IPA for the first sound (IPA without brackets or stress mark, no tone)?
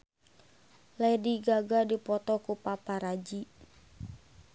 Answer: l